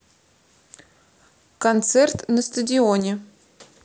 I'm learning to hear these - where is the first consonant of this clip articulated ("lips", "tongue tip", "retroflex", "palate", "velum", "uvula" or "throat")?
velum